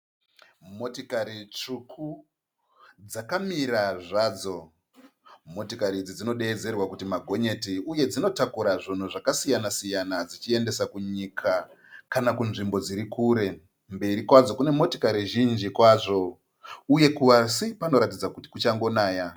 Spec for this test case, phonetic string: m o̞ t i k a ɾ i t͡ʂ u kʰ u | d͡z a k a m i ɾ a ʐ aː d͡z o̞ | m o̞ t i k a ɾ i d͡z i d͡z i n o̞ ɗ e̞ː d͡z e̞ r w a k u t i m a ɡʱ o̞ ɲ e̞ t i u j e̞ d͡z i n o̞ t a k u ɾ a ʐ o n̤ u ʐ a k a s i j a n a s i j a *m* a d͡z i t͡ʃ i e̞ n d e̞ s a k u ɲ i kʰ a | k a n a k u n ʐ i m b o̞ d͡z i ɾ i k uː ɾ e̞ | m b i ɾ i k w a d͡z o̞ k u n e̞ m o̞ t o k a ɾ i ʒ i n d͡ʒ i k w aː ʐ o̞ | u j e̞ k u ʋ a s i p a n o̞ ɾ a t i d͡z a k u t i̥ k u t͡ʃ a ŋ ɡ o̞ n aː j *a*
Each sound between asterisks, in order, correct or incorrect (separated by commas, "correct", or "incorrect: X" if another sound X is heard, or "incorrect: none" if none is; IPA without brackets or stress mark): incorrect: n, correct